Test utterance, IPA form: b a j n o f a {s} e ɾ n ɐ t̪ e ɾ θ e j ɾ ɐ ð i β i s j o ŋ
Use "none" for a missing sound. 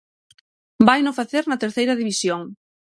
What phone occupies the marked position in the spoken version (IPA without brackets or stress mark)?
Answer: θ